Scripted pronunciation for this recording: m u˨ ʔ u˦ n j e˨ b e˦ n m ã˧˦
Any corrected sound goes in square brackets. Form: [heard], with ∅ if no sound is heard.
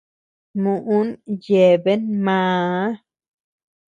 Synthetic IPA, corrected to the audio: m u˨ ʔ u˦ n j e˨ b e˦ n m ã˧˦